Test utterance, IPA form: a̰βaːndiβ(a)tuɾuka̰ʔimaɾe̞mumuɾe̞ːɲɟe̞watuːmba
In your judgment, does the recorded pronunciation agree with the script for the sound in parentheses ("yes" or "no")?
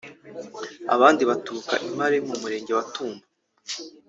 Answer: yes